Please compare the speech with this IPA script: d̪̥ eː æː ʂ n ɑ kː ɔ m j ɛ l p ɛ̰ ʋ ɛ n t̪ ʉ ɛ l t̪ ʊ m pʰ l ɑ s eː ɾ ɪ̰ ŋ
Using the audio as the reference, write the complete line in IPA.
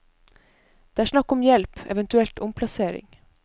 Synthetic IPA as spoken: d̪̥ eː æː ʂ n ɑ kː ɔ m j ɛ l p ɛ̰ ʋ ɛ n t̪ ʉ ɛ l t̪ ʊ m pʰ l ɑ s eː ɾ ɪ̰ ŋ